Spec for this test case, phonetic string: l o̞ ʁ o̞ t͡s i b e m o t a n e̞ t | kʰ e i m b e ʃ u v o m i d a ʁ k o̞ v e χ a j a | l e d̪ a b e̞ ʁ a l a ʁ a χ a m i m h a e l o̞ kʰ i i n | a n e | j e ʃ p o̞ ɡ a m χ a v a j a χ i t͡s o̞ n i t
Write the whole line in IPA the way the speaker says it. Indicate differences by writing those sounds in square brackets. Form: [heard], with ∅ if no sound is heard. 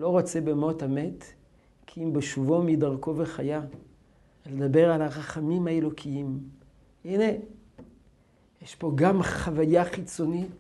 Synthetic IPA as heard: l o̞ ʁ o̞ t͡s [e] b e m o t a [m] e̞ t | kʰ [i] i m b e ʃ u v o m i d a ʁ k o̞ v e χ a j a | l e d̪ a b e̞ ʁ a l a ʁ a χ a m i m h a e l o̞ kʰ i i [m] | [i] n e | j e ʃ p o̞ ɡ a m χ a v a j a χ i t͡s o̞ n i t